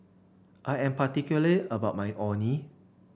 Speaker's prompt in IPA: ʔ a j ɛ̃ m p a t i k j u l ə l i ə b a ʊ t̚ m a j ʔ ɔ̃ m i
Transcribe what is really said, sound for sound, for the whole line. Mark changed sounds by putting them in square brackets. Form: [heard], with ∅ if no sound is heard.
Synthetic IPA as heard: ʔ a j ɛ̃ m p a t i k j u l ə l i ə b a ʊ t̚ m a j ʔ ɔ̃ [n] i